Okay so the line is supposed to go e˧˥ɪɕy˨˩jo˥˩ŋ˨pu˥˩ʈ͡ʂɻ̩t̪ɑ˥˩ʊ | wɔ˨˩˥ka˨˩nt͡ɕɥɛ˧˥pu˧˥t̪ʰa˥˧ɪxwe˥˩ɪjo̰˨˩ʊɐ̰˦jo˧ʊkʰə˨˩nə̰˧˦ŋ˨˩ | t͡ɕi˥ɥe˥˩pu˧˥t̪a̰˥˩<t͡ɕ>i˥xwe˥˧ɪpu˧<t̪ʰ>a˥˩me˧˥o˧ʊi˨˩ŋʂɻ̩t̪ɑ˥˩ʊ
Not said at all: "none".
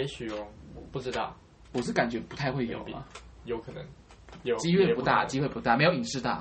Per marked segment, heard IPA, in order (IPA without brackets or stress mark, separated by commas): t͡ɕ, t̪